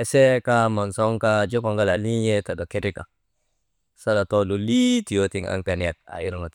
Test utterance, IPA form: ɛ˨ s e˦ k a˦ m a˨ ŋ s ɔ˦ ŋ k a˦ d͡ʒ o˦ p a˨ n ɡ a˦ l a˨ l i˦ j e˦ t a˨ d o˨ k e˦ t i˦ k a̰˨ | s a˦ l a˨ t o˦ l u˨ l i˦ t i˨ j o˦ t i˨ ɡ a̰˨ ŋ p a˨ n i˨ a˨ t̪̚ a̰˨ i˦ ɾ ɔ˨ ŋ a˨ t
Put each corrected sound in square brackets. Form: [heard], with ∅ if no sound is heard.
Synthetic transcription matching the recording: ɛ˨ s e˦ k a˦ m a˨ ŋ s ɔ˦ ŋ k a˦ d͡ʒ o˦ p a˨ [ŋ] ɡ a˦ l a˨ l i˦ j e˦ t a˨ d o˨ k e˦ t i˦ k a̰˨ | s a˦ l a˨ t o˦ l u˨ l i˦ t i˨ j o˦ t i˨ [ŋ] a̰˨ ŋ p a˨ n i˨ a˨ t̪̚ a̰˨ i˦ ɾ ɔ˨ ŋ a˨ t